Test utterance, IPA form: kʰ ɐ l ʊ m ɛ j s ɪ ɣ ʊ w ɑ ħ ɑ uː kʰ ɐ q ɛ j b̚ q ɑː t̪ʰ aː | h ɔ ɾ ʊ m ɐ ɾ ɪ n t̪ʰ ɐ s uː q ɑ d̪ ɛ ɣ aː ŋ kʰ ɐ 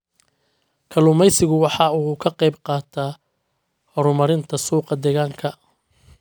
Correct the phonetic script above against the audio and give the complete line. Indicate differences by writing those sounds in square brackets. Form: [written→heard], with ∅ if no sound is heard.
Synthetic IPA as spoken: kʰ ɐ l ʊ m ɛ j s ɪ ɣ ʊ w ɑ ħ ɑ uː kʰ ɐ q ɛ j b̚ q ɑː t̪ʰ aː | h ɔ ɾ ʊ m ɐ ɾ ɪ n t̪ʰ ɐ s uː q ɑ d̪ ɛ ɣ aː ŋ kʰ ɐ